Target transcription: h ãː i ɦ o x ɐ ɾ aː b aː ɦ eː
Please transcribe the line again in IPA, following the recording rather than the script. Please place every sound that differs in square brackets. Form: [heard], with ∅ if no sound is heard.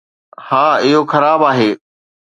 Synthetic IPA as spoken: h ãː [ɪ] ɦ o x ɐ ɾ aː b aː ɦ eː